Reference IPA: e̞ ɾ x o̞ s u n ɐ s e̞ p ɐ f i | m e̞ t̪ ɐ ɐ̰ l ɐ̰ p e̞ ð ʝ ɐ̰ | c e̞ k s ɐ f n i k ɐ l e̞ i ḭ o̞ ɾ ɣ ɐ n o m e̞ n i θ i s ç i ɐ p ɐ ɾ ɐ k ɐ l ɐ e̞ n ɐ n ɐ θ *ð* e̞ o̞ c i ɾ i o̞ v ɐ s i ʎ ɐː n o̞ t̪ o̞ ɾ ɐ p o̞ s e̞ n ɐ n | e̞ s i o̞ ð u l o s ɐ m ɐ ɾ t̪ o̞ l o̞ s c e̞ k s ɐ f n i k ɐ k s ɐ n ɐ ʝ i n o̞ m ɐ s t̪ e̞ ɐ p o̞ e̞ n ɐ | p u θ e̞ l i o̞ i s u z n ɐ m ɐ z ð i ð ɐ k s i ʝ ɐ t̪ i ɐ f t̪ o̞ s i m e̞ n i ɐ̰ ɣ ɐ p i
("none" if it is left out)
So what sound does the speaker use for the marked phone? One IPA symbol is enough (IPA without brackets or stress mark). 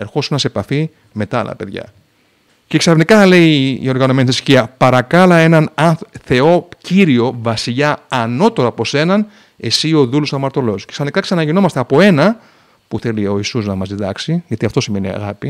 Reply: θ